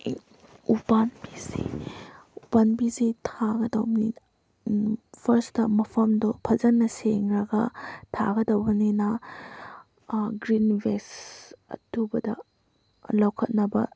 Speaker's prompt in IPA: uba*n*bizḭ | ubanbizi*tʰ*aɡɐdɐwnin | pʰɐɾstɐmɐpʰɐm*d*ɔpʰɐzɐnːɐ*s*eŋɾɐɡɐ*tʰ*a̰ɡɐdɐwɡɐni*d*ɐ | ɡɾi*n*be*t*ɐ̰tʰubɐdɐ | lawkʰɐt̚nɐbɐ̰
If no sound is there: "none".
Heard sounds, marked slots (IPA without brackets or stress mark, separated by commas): n, tʰ, d, s, tʰ, n, n, s